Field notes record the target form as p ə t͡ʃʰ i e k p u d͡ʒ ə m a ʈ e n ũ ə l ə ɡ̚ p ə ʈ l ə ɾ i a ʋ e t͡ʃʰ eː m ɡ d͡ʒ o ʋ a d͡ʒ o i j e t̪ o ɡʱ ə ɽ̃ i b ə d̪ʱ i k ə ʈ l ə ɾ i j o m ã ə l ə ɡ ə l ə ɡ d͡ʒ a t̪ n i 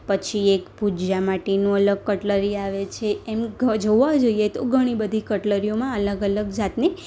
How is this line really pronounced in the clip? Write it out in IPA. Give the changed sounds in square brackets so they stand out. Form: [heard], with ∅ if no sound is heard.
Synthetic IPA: p ə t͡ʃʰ i e k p u d͡ʒ [a] m a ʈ e n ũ ə l ə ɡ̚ [k] ə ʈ l ə ɾ i a ʋ e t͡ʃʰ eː m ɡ d͡ʒ o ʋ a d͡ʒ o i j e t̪ o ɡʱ ə ɽ̃ i b ə d̪ʱ i k ə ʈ l ə ɾ i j o m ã ə l ə ɡ ə l ə ɡ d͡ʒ a t̪ n i